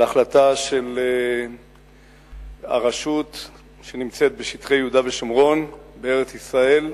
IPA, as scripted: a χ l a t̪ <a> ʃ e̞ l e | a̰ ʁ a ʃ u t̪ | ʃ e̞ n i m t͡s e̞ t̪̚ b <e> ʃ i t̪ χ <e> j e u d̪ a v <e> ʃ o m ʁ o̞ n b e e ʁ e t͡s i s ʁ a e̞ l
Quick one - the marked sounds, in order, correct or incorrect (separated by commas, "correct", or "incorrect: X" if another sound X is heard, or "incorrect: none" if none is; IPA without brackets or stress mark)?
correct, correct, correct, correct